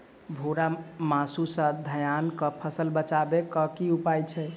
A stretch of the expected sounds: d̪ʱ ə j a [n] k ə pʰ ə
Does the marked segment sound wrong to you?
no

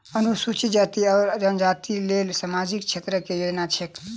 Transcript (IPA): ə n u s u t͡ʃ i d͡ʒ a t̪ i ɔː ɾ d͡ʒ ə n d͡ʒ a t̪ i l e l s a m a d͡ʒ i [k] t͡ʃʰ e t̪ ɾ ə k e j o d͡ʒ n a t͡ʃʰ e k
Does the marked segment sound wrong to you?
no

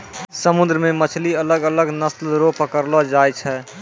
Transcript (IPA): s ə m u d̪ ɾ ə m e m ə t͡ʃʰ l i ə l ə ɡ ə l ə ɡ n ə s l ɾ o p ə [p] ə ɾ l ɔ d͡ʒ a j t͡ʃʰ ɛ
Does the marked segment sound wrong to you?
yes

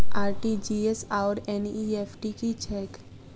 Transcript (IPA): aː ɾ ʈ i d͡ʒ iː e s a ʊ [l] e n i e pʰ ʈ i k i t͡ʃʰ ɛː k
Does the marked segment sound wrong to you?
yes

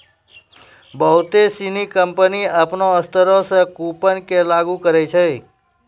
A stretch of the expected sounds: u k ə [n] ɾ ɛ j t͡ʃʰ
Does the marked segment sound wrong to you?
yes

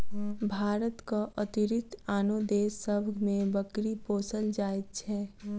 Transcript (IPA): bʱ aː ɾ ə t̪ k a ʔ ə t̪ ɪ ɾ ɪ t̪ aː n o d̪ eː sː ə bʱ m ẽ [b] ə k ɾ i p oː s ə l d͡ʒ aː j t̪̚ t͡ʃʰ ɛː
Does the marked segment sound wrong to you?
no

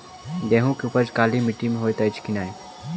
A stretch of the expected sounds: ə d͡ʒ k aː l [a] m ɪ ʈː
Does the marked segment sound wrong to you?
yes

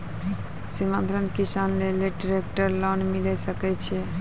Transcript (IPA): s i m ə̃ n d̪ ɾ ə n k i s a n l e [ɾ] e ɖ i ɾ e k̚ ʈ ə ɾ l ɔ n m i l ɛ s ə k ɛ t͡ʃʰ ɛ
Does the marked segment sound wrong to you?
yes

